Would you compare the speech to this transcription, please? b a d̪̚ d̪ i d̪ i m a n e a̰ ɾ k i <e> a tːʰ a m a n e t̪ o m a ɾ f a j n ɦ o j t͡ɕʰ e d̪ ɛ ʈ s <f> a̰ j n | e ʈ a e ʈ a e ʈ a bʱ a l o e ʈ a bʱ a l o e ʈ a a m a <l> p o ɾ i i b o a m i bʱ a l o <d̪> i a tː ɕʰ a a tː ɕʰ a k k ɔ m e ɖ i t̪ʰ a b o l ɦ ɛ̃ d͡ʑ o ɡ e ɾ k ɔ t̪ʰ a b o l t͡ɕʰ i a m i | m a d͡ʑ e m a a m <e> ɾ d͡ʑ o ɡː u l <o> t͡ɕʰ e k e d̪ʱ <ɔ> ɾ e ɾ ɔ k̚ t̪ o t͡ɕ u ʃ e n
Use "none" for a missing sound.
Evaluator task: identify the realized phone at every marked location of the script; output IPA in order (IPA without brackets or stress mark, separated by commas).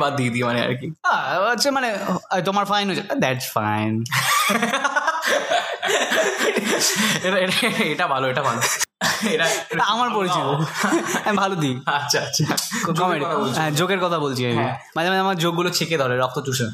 a, f, ɾ, d̪, a, o, ɔ